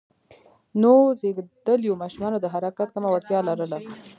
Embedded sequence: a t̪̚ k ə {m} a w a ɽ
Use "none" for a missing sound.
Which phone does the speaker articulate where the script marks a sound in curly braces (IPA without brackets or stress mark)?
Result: m